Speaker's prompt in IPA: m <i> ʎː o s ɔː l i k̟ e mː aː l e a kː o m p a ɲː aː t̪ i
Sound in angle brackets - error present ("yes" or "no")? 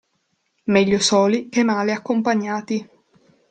yes